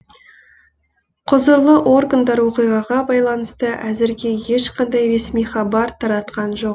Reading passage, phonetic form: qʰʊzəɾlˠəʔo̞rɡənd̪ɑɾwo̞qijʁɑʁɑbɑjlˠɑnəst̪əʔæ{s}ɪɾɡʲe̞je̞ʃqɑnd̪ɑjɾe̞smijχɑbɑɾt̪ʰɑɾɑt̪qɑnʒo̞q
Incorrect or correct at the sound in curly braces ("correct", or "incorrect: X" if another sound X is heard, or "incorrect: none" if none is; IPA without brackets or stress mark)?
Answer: incorrect: z